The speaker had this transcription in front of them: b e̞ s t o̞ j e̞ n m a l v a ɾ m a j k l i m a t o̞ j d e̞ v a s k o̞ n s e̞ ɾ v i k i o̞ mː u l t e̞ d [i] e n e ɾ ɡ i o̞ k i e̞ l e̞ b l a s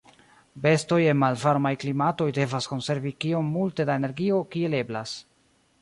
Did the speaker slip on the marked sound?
yes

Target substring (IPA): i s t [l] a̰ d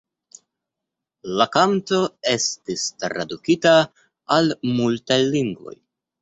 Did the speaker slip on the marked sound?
yes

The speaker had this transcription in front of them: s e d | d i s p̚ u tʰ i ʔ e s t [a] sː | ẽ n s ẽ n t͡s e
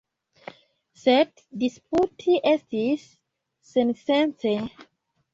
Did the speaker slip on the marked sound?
yes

